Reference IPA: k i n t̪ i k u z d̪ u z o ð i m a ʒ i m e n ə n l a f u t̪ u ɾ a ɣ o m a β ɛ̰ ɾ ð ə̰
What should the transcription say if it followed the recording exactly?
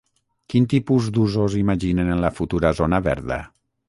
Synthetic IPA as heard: k i n t̪ i p u z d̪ u z o z i m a ʒ i n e n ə n l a f u t̪ u ɾ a z o n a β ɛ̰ ɾ ð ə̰